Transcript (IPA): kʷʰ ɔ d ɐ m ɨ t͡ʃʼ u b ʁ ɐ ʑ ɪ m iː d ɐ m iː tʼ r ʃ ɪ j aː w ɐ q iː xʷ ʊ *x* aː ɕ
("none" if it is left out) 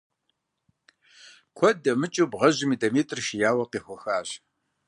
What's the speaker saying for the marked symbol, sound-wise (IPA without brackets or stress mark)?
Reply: x